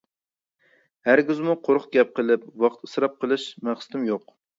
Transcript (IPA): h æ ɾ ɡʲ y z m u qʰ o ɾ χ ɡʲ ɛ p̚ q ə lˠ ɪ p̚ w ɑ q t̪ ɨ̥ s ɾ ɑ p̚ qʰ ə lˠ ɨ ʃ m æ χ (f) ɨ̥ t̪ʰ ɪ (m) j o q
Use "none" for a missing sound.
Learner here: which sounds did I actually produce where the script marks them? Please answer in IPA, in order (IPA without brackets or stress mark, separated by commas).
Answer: s, m